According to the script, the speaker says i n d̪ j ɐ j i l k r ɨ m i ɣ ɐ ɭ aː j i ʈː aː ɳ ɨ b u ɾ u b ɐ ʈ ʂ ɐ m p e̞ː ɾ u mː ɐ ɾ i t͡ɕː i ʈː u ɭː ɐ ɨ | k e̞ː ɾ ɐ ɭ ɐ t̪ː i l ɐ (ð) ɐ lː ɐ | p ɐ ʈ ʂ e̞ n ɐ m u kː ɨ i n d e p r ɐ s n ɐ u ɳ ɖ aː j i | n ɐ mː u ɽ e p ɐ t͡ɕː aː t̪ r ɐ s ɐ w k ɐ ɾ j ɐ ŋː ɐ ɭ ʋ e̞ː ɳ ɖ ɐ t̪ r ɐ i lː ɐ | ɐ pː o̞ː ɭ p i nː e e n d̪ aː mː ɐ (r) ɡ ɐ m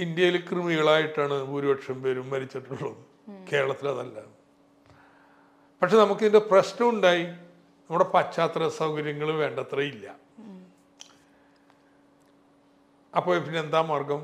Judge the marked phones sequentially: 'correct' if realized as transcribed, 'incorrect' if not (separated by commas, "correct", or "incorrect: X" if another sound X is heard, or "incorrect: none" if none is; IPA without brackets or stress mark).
correct, correct